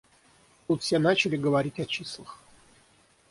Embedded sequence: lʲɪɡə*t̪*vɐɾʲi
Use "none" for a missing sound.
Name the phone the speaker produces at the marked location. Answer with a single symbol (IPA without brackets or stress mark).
none